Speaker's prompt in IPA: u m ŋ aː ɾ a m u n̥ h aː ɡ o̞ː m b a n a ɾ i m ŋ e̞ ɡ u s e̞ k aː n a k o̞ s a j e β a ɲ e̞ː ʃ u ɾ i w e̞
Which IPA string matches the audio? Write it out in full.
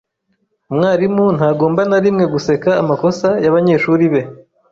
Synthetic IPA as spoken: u m ŋ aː ɾ i m u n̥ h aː ɡ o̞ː m b a n a ɾ i m ŋ e̞ ɡ u s e̞ k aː m a k o̞ s a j a β a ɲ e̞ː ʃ u ɾ i β e̞